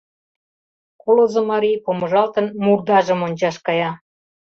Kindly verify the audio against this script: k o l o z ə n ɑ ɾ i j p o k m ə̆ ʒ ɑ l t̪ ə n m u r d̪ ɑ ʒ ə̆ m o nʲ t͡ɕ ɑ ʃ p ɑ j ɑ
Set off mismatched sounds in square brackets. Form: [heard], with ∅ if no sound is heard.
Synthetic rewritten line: k o l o z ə [m] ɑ ɾ i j p o [∅] m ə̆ ʒ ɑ l t̪ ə n m u r d̪ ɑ ʒ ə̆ m o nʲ t͡ɕ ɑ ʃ [k] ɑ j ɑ